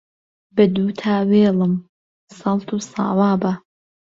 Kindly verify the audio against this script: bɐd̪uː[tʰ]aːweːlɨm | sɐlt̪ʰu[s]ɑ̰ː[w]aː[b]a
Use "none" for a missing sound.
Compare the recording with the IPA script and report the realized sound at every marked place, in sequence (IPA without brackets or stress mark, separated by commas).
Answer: tʰ, s, w, b